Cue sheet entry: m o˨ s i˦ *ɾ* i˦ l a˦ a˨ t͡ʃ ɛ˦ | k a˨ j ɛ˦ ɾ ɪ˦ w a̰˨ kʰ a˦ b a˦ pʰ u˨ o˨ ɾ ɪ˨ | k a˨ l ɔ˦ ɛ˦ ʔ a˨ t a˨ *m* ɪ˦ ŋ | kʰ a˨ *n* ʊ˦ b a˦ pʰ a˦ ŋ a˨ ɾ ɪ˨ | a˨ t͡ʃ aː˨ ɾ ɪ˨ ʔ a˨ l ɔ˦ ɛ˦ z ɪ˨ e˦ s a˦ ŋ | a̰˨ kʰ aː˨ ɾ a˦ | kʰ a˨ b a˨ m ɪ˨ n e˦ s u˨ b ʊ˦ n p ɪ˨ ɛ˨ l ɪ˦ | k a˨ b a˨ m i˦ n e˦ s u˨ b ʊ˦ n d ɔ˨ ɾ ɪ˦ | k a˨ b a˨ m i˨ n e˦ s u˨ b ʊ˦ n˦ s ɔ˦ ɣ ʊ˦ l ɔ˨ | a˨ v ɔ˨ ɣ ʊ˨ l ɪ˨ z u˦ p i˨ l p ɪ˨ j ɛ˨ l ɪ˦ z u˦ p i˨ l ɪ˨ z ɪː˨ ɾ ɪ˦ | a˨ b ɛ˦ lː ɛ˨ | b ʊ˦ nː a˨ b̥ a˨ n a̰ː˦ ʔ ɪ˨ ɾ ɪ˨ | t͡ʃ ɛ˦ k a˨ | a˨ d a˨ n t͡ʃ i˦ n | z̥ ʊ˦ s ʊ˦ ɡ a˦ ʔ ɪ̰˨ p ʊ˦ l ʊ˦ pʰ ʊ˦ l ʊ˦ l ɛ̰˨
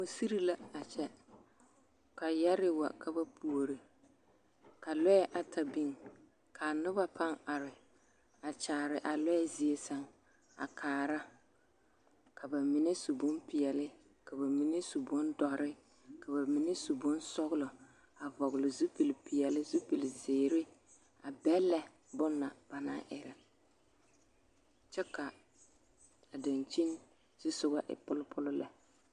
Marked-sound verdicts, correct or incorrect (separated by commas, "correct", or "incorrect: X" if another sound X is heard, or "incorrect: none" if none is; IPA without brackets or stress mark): correct, incorrect: b, correct